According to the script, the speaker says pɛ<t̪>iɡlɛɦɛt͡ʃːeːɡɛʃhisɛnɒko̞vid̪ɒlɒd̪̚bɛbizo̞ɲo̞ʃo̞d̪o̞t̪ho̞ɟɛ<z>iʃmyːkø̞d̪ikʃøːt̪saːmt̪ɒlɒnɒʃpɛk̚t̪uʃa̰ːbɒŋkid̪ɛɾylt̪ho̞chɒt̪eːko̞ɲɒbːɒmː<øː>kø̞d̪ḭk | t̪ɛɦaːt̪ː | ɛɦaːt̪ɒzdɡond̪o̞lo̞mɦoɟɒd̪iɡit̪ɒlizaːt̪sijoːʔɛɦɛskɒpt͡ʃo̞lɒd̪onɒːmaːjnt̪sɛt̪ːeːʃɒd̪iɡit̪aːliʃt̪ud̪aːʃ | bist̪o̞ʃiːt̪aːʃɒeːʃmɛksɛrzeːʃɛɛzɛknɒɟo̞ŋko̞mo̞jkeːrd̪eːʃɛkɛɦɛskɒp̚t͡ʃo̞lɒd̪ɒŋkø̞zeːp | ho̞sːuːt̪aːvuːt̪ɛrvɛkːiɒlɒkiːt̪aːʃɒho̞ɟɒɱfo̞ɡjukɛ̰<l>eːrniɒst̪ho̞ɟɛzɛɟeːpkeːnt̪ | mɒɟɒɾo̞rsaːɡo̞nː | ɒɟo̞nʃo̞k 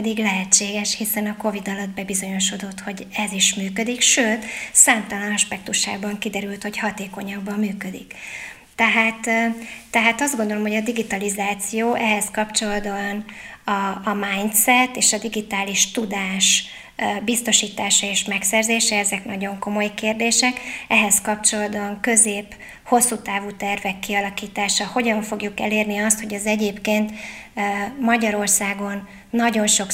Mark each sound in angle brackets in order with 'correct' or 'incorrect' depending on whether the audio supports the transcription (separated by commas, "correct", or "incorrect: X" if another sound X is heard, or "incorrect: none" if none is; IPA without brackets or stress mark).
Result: incorrect: d̪, correct, incorrect: yː, correct